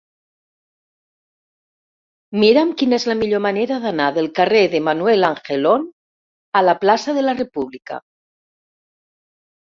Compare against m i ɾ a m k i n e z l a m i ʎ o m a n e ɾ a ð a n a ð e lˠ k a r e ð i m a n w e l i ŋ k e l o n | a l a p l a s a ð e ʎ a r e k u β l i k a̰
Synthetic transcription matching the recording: m i ɾ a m k i n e z l a m i ʎ o m a n e ɾ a ð a n a ð e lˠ k a r e ð e m a n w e l a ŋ x e l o n | a l a p l a s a ð e l a r e p u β l i k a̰